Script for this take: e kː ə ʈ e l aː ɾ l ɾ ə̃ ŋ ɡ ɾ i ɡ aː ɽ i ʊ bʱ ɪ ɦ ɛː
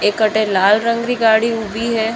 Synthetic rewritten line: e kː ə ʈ e l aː l ɾ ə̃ ŋ ɡ ɾ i ɡ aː ɽ i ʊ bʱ i ɦ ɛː